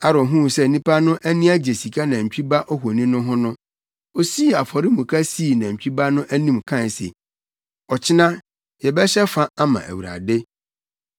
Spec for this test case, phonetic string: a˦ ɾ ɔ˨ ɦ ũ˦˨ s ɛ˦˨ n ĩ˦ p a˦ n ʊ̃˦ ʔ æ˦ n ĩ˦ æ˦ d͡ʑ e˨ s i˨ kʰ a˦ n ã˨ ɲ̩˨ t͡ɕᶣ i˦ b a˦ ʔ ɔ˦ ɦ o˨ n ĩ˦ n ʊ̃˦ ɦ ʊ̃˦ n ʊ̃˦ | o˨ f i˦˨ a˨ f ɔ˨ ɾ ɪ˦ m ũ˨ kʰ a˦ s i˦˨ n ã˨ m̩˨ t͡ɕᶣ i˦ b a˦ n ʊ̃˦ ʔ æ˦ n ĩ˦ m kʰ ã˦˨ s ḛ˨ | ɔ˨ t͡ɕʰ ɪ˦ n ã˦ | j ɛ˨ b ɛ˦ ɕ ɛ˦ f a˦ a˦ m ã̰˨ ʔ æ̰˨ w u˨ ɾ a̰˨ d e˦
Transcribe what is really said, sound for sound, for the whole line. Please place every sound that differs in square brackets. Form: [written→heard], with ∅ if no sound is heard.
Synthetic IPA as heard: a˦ ɾ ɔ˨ ɦ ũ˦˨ s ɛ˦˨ n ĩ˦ p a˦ n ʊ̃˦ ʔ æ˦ n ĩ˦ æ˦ d͡ʑ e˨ s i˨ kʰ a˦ n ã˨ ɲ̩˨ t͡ɕᶣ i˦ b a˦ ʔ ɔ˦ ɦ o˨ n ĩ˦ n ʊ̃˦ ɦ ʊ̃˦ n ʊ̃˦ | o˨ [f→s] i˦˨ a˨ f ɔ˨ ɾ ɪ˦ m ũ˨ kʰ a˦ s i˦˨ n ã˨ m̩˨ t͡ɕᶣ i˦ b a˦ n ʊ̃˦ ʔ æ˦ n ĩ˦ m kʰ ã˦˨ s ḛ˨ | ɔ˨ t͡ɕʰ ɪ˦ n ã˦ | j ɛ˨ b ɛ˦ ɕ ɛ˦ f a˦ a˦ m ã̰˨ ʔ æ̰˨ w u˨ ɾ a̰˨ d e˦

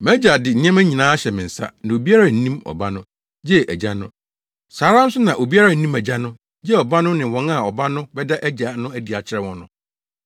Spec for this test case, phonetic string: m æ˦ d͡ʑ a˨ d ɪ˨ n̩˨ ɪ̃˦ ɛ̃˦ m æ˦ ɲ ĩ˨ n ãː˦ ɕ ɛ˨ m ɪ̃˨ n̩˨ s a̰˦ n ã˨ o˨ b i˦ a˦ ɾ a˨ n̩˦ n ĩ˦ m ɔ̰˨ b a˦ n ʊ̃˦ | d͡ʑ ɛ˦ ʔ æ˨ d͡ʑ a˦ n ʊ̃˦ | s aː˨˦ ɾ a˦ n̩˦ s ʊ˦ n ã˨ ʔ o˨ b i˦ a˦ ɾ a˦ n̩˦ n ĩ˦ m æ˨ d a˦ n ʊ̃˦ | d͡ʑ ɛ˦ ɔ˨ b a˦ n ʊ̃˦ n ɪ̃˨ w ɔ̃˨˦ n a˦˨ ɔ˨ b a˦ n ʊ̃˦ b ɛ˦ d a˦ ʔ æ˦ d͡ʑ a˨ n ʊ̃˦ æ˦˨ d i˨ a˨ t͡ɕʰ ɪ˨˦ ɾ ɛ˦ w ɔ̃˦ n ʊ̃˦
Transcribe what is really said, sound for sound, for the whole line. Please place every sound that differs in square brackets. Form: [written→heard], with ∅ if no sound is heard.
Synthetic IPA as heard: m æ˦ d͡ʑ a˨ d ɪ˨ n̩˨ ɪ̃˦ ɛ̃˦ m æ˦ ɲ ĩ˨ n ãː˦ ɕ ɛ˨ m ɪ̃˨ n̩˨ s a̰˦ n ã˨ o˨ b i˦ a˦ ɾ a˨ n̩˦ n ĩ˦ m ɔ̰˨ b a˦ n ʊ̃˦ | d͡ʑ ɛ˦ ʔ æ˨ d͡ʑ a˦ n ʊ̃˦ | s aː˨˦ ɾ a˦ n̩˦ s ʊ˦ n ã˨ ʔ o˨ b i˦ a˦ ɾ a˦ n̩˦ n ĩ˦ m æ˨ [d→d͡ʑ] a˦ n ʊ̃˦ | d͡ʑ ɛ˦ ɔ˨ b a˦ n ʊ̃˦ n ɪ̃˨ w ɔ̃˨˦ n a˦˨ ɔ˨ b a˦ n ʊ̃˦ b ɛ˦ d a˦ ʔ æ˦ d͡ʑ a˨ n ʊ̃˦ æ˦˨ d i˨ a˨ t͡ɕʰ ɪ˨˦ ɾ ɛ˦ w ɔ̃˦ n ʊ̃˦

